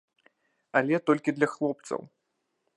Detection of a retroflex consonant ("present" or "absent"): absent